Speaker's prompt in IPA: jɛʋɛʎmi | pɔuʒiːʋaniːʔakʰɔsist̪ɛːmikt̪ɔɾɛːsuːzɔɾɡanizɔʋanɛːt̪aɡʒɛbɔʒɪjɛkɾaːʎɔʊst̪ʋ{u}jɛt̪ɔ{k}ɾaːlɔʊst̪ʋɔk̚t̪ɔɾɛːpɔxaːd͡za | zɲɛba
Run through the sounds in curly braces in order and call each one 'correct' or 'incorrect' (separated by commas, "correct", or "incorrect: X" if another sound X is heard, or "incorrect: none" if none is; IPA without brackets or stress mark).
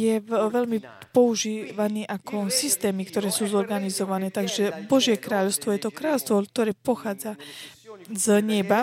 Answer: incorrect: ɔ, correct